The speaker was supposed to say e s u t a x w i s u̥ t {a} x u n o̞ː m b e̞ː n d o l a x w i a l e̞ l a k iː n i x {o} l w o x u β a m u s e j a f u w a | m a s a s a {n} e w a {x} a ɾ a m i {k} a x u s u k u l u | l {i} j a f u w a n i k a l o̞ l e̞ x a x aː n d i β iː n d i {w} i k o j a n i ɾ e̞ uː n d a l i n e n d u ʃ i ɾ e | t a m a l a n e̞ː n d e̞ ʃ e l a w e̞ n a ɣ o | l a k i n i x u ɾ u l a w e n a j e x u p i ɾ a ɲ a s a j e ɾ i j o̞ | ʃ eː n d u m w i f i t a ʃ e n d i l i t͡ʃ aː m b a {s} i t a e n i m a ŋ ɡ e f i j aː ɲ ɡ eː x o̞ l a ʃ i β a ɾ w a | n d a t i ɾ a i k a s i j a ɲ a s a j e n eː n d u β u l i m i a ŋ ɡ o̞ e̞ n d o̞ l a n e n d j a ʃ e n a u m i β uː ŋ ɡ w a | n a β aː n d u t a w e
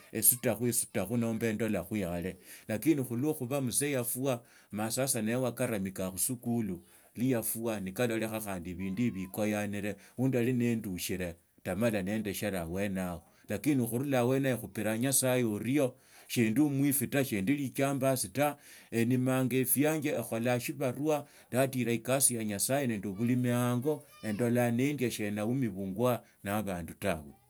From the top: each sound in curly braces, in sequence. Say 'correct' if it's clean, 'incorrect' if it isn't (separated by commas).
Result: correct, incorrect, correct, incorrect, correct, correct, incorrect, correct